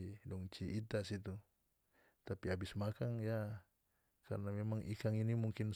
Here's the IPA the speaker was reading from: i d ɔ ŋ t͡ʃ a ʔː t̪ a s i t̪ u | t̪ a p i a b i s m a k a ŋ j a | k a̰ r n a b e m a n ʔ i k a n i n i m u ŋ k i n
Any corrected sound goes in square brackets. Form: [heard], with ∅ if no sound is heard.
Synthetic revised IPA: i d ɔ ŋ t͡ʃ [i] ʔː t̪ a s i t̪ u | t̪ a p i a b i s m a k a ŋ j a | k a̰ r n a [m] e m a [ŋ] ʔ i k a [ŋ] i n i m u ŋ k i n